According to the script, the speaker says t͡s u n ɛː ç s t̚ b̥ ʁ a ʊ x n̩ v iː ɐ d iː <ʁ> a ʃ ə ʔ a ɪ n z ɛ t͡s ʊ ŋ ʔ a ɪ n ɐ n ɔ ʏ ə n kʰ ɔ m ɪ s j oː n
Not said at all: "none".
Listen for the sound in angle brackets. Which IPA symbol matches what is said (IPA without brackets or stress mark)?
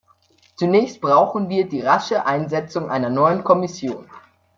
ʁ